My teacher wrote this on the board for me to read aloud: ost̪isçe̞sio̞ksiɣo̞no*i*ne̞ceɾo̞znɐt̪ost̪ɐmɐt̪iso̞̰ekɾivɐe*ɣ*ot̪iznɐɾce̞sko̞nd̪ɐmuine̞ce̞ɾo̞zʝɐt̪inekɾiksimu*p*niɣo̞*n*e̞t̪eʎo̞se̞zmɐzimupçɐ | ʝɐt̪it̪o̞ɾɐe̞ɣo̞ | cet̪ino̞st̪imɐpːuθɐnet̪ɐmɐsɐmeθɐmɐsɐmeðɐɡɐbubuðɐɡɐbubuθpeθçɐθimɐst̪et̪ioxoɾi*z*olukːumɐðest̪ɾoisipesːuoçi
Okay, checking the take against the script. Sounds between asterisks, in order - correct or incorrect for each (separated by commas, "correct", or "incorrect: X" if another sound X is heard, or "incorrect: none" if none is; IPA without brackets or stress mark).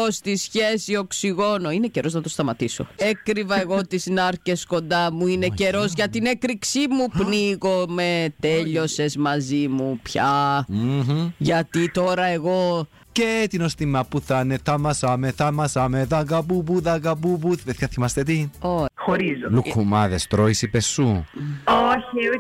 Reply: correct, correct, correct, incorrect: m, correct